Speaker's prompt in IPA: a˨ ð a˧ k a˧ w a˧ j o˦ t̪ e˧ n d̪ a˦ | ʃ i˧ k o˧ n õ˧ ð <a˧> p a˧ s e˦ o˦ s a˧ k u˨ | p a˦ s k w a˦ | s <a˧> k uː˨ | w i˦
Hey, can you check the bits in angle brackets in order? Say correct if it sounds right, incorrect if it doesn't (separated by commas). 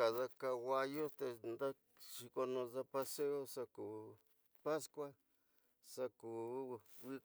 correct, correct